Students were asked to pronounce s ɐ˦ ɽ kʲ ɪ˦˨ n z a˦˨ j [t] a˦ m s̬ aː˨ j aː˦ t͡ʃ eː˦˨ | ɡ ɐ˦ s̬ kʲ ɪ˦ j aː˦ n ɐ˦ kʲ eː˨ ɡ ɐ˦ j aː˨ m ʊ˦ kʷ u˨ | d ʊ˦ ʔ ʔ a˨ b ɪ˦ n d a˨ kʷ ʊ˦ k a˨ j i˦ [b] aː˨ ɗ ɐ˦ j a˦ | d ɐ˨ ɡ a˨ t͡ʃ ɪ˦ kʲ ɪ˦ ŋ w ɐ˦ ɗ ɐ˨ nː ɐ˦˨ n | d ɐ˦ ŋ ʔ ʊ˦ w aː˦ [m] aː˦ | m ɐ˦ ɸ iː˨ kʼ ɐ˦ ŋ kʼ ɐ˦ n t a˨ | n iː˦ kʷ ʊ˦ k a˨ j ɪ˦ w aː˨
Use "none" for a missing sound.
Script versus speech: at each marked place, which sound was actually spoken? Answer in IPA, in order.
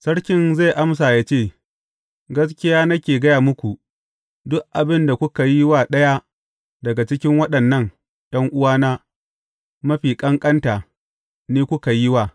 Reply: ʔ, w, n

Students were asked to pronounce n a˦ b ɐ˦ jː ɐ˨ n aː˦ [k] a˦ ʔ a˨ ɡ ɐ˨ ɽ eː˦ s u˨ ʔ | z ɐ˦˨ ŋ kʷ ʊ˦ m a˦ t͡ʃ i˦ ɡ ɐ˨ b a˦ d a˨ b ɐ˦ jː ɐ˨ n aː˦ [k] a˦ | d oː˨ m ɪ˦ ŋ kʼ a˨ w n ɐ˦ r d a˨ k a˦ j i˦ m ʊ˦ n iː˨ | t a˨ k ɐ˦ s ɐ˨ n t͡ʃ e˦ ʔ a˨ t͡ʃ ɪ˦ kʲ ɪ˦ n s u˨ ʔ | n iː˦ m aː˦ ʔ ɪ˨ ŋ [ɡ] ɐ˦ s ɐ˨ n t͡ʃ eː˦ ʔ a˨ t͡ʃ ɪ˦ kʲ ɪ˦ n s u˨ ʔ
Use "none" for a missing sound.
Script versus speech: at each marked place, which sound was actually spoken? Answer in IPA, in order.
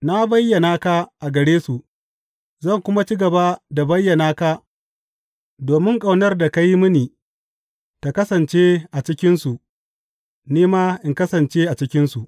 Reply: k, k, k

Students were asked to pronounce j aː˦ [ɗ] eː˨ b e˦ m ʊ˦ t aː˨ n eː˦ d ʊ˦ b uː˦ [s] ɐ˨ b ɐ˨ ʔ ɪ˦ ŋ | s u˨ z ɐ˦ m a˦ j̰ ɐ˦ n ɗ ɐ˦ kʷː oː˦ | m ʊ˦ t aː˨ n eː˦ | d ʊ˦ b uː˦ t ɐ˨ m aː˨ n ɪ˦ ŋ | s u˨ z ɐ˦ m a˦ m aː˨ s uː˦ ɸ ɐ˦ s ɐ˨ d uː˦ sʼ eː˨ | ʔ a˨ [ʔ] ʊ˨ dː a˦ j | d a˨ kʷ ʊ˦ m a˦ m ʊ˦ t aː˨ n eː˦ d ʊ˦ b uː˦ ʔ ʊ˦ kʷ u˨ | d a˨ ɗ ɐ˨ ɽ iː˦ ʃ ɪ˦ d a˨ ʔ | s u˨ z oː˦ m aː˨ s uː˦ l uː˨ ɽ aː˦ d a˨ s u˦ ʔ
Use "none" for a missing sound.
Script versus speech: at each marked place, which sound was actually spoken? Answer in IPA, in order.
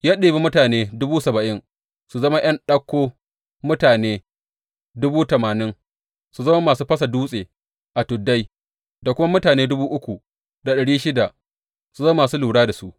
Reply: ɗ, s, t

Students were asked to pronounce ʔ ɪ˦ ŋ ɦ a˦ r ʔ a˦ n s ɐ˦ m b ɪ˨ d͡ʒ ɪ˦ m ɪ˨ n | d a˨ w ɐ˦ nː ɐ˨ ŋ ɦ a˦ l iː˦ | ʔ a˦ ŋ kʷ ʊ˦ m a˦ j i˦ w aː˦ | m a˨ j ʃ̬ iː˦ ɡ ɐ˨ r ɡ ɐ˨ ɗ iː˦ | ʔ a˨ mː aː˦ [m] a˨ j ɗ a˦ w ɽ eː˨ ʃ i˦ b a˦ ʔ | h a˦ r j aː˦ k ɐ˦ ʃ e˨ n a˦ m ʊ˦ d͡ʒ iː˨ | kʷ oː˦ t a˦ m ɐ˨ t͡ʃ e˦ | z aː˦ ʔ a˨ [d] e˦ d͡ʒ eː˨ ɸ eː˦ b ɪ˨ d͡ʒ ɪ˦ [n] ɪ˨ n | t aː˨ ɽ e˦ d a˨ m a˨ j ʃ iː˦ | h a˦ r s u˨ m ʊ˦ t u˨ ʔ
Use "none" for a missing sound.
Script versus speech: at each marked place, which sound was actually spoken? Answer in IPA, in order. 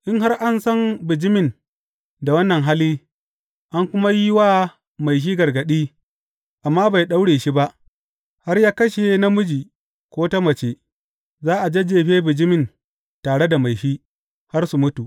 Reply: b, d͡ʒ, m

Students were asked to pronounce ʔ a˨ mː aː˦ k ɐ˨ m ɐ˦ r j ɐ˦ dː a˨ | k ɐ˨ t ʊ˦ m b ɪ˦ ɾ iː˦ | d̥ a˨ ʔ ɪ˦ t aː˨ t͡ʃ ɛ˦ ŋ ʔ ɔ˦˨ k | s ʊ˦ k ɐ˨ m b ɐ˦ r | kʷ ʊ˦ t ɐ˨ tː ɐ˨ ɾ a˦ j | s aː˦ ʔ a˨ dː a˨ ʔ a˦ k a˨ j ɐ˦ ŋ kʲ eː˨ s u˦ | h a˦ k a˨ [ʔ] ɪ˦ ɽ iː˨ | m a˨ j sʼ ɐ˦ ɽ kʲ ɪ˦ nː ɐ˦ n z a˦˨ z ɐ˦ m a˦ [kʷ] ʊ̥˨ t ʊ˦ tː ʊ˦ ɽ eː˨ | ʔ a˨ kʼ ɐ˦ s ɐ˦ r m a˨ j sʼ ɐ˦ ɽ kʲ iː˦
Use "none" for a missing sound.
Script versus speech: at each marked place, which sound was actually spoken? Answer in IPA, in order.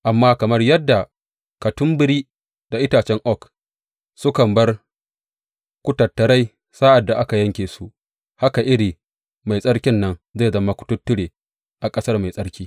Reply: ʔ, kʷ

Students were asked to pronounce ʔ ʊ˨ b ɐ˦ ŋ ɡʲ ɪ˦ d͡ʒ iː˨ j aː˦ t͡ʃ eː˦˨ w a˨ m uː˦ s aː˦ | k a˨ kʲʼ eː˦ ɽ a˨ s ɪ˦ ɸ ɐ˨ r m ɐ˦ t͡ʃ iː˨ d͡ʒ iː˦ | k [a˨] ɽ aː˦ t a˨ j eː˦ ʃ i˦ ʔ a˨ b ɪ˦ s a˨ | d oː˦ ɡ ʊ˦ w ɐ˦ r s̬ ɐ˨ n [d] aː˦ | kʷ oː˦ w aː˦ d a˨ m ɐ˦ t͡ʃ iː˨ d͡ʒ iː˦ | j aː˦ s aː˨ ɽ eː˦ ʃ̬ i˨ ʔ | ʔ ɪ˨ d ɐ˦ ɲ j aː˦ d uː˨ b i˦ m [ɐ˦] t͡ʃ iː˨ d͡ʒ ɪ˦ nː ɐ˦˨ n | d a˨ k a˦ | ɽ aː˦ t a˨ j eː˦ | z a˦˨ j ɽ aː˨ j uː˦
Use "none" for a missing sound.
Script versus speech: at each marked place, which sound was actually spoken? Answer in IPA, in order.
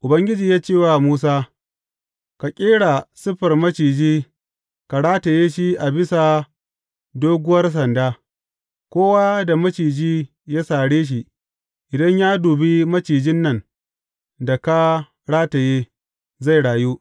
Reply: a˨, d, ɐ˦

